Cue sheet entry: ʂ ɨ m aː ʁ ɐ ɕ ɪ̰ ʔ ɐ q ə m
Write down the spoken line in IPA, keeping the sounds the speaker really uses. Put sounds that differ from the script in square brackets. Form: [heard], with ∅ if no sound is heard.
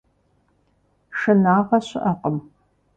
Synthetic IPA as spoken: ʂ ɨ [n] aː ʁ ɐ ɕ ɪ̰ ʔ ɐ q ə m